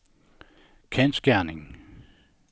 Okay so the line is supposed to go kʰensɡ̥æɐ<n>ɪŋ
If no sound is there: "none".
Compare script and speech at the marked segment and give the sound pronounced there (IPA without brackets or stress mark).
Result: n